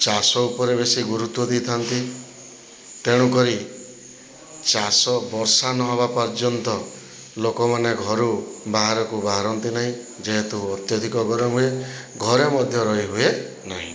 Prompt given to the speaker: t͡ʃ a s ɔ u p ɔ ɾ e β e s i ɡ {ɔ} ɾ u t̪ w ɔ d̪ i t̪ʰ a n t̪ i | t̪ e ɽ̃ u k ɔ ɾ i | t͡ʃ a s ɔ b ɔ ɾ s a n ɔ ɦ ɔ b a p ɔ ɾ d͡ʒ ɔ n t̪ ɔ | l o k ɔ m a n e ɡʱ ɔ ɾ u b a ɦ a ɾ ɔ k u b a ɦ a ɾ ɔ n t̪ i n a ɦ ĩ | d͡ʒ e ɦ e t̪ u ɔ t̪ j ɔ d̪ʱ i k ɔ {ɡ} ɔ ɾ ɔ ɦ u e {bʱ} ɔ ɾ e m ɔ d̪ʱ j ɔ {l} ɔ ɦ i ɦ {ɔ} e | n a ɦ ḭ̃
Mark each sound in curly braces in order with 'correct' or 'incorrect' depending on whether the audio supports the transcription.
incorrect, correct, incorrect, incorrect, incorrect

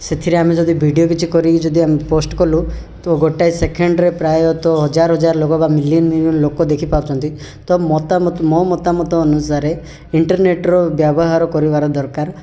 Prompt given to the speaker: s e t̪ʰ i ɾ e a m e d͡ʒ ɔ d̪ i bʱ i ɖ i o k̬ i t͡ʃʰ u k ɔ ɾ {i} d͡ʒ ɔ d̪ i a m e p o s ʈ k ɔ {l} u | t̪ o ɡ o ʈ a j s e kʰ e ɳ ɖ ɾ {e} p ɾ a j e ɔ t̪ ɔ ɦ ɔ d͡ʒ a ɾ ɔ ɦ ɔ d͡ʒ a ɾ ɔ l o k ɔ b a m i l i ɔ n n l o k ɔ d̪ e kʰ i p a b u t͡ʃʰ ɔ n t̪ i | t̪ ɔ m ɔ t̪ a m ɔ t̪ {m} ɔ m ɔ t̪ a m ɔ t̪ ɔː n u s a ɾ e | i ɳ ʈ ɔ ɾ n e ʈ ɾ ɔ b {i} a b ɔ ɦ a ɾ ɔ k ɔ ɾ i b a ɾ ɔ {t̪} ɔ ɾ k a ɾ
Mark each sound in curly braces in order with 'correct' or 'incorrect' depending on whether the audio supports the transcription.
correct, correct, correct, correct, incorrect, incorrect

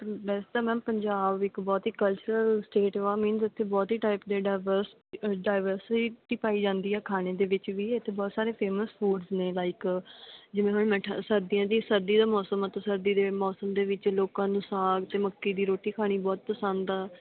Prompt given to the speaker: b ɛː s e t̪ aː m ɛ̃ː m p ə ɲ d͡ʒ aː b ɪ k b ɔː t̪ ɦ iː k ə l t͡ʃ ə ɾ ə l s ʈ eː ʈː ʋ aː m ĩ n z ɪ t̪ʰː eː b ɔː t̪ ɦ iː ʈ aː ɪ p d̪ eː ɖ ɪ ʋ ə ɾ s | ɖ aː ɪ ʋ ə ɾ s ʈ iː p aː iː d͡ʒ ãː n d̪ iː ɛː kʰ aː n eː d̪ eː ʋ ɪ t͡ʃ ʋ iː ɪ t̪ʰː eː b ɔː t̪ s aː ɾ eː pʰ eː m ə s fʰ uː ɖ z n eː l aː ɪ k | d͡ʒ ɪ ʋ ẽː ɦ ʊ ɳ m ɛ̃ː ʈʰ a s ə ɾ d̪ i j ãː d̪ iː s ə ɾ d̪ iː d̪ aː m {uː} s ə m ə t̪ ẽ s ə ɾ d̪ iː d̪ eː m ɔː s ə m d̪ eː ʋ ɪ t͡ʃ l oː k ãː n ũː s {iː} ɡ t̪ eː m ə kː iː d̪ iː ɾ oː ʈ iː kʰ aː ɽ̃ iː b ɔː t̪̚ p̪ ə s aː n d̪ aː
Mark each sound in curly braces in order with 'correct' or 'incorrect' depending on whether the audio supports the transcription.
incorrect, incorrect

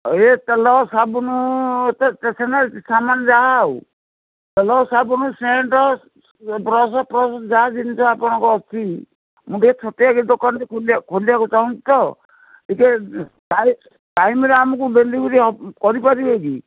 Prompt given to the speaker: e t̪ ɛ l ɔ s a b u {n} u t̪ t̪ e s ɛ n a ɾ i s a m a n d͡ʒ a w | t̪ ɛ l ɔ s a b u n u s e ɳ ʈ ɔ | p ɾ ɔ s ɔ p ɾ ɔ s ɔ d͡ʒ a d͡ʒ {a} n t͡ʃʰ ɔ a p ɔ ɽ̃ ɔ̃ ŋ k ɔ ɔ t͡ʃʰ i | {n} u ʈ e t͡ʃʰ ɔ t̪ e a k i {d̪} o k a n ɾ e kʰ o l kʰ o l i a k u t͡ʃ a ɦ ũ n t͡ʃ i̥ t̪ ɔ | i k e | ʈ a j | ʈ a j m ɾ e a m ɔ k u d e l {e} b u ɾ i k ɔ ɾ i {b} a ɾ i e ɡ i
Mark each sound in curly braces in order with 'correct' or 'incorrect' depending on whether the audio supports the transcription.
correct, incorrect, incorrect, correct, incorrect, incorrect

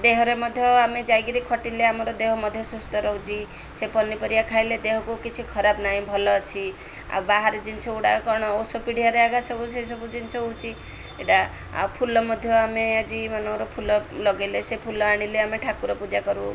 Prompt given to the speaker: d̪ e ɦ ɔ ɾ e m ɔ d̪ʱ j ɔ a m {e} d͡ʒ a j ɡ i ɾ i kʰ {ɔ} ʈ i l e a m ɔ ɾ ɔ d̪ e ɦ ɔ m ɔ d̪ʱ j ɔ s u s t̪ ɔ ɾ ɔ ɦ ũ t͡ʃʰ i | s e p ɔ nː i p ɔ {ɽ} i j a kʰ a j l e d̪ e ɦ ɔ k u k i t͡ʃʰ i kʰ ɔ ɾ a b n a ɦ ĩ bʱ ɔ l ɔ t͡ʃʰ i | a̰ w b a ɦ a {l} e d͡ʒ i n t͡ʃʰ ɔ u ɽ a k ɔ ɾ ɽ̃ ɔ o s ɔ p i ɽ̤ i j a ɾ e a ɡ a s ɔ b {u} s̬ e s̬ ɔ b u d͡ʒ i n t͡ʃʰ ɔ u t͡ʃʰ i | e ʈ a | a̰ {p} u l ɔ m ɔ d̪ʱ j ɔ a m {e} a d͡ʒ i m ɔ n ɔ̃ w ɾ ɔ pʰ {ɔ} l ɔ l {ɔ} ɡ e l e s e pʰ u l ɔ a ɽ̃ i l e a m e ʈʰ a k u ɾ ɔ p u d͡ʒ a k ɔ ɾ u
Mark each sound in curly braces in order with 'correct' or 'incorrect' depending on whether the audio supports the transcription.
correct, correct, incorrect, incorrect, correct, incorrect, correct, incorrect, correct

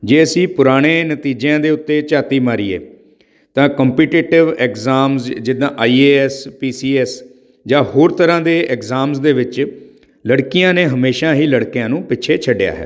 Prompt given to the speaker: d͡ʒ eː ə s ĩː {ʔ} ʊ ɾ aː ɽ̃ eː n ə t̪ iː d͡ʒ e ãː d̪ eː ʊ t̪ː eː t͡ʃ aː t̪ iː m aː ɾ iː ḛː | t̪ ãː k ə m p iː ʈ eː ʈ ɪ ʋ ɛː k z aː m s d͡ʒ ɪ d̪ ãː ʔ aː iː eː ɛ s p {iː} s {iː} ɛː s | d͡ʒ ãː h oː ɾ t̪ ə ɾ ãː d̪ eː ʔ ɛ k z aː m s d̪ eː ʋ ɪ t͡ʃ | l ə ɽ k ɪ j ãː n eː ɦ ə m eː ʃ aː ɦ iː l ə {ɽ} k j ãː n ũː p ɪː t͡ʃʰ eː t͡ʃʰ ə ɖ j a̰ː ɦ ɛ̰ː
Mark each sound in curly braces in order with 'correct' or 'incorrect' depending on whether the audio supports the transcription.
incorrect, correct, correct, correct

